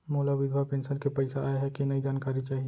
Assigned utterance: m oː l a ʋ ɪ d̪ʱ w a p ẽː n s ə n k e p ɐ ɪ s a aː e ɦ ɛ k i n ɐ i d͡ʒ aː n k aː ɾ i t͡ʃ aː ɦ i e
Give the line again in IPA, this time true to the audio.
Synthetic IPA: m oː l a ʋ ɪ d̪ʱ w a p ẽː n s ə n k e p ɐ ɪ s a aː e ɦ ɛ k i n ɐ i d͡ʒ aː n k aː ɾ i t͡ʃ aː ɦ i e